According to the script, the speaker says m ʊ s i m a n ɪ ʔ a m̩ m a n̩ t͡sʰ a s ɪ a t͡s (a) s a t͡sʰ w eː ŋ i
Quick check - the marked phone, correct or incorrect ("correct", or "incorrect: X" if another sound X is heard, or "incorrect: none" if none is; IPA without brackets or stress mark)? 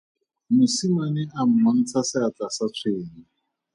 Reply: correct